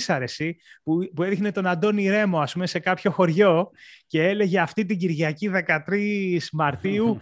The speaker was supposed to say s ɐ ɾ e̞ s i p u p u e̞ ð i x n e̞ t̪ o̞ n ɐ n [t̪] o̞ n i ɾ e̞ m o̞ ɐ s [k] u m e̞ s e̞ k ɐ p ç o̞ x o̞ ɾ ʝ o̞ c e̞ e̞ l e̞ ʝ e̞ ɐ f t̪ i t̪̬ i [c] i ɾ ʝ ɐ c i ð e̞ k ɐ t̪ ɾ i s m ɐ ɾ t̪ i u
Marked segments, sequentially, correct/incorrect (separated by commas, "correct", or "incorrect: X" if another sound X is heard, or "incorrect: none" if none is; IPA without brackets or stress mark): incorrect: d̪, incorrect: p, incorrect: ɟ